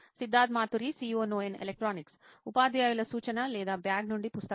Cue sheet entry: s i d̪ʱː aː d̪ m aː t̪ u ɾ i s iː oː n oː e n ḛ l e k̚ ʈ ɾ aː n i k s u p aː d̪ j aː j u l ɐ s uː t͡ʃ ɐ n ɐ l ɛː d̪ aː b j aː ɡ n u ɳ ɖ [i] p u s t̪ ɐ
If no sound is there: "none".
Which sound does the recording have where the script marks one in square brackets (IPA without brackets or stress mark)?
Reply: i